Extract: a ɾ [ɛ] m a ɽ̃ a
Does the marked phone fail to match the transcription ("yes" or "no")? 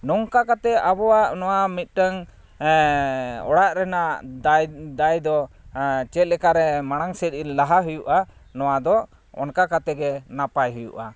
no